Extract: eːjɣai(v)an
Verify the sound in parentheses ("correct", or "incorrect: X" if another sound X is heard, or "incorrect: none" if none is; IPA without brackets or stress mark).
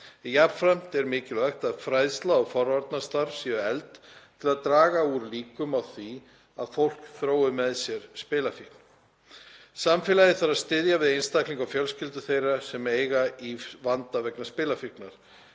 correct